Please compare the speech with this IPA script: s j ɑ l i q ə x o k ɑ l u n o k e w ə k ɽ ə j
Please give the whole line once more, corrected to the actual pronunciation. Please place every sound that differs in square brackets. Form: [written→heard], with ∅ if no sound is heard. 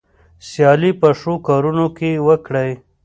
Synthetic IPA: s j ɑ l i [q→p] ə [x→ʂ] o k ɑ [l→ɾ] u n o k e w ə k ɽ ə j

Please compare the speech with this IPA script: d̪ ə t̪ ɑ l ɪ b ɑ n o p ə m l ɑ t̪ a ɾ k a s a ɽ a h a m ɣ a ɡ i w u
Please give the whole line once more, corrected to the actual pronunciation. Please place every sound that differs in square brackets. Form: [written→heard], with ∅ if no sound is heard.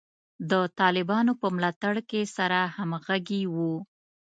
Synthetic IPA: d̪ ə t̪ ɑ l ɪ b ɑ n o p ə m l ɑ t̪ a [ɾ→ɽ] k [a→e] s a [ɽ→ɾ] a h a m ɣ a ɡ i w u

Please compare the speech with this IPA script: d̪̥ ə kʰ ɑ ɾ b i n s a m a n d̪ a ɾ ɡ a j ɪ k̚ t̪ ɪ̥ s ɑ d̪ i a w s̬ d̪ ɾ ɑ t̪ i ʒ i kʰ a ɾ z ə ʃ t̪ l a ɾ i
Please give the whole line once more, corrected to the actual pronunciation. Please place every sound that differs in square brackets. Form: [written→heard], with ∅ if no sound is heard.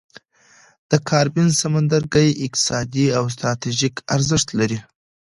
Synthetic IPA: d̪̥ ə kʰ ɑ ɾ b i n s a m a n d̪ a ɾ ɡ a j ɪ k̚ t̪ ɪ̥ s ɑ d̪ i a w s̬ [d̪→t̪] ɾ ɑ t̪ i ʒ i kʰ a ɾ z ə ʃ t̪ l a ɾ i

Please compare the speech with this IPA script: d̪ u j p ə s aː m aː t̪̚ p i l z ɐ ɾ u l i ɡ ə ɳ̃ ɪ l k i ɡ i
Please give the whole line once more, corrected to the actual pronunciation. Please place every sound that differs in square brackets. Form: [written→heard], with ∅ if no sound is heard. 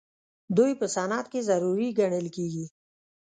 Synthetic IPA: d̪ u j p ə s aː [m→n] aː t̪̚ [p→k] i [l→∅] z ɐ ɾ u [l→ɾ] i ɡ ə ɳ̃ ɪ l k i ɡ i

